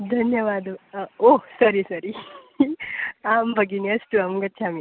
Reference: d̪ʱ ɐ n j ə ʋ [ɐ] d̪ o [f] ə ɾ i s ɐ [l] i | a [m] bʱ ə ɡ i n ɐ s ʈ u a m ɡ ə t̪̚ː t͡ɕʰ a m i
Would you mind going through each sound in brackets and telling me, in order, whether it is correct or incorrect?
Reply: incorrect, incorrect, incorrect, correct

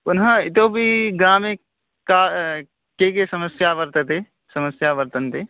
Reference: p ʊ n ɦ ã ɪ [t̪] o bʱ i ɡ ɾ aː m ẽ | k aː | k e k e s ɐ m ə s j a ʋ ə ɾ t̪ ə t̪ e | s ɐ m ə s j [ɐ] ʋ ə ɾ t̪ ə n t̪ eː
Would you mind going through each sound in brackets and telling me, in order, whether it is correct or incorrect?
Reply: correct, incorrect

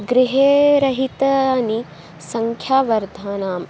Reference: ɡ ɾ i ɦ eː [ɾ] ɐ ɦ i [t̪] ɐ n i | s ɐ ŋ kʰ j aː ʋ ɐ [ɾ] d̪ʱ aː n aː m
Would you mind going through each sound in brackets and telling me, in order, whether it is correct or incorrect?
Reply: correct, correct, correct

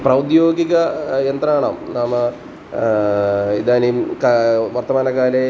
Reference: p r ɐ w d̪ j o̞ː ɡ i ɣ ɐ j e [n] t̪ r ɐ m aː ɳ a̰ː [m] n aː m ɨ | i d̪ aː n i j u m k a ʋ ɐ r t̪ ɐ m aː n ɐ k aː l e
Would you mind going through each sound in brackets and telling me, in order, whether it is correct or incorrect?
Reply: correct, correct

